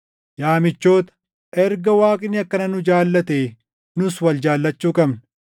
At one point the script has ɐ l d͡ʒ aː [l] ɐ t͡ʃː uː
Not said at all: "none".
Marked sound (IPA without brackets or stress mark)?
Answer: lː